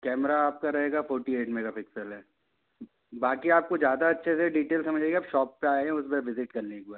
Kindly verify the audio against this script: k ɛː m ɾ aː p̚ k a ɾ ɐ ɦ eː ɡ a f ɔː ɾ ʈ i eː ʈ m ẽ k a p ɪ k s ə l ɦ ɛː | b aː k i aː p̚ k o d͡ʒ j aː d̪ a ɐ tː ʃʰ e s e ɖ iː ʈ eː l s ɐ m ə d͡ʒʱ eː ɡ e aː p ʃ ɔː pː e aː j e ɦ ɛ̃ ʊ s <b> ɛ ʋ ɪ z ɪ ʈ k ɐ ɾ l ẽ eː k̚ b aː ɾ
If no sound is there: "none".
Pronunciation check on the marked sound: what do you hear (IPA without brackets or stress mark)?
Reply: b